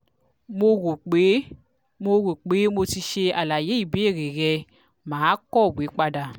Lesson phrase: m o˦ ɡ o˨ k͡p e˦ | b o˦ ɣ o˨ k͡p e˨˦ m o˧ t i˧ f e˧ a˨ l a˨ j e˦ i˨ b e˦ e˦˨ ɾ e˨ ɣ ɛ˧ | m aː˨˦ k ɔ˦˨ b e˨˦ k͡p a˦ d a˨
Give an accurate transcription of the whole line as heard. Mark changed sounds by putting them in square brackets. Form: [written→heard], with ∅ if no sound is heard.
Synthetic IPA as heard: m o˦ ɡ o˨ k͡p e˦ | [b→m] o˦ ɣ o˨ k͡p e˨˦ m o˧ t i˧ [f→ʃ] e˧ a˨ l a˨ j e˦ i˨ b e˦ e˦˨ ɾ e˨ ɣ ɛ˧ | m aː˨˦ k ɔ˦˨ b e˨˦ k͡p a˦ d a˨